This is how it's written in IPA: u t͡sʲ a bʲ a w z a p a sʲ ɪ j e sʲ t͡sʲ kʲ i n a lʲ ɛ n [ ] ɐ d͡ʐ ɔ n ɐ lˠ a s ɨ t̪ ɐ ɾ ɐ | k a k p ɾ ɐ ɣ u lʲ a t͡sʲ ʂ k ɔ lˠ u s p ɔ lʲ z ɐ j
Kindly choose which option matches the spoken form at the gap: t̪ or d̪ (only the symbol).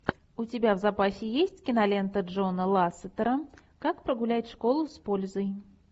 t̪